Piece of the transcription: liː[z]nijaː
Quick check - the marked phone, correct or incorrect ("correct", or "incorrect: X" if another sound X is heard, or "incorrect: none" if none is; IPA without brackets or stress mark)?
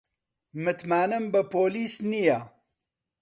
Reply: incorrect: s